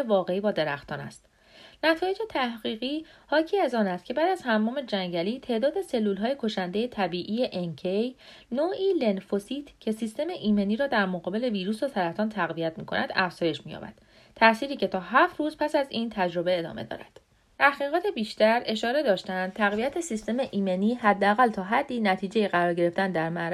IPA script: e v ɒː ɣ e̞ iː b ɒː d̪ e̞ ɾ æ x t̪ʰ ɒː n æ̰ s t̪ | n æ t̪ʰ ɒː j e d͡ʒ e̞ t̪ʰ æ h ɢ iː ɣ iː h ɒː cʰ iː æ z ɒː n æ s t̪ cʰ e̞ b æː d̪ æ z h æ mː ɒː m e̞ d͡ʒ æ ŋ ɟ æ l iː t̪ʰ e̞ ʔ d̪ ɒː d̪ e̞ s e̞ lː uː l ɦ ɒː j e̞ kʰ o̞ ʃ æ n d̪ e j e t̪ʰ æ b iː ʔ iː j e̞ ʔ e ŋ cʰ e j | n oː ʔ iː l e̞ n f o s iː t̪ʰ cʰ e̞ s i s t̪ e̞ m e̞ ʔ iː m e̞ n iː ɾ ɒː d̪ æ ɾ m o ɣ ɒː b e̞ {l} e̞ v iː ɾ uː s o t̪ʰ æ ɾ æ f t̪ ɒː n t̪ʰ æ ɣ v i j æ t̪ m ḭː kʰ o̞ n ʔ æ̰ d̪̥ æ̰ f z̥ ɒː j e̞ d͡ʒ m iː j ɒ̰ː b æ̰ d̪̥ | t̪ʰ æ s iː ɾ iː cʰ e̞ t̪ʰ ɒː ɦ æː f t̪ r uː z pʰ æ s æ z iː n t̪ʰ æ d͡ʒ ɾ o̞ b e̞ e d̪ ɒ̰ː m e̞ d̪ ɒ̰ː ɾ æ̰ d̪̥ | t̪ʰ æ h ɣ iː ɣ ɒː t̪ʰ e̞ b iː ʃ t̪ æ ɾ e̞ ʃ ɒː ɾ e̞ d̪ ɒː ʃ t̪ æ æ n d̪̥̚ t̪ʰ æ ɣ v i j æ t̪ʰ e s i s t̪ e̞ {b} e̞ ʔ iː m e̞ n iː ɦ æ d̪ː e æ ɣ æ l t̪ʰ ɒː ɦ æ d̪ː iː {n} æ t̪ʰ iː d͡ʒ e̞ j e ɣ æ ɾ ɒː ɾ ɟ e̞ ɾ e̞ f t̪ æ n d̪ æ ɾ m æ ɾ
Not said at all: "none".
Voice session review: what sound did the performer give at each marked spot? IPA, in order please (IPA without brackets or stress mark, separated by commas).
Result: l, m, n